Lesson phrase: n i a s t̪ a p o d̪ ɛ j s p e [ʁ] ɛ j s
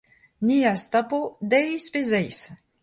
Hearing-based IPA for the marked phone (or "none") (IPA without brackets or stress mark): z